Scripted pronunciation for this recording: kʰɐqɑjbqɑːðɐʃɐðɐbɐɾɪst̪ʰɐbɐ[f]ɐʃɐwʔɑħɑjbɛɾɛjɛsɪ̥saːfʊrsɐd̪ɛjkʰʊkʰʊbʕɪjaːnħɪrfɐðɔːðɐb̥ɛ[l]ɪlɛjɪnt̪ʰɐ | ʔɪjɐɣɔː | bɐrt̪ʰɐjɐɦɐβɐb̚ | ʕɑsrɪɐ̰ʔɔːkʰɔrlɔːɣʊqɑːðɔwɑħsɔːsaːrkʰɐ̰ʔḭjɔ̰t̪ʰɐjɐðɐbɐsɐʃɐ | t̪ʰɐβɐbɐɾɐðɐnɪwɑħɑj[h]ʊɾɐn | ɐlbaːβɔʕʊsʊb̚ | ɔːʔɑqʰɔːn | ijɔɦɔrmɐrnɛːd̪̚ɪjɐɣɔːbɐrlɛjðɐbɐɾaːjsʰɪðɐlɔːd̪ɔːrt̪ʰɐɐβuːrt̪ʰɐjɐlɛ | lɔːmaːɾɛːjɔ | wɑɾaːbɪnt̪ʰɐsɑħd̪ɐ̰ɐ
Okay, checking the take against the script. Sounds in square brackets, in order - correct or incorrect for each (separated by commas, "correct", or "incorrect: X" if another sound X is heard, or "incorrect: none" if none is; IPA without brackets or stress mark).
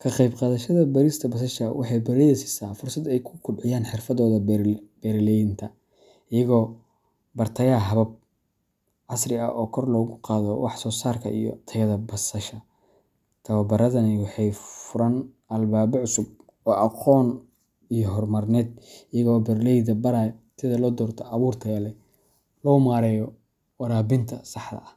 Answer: incorrect: s, incorrect: ɾ, incorrect: f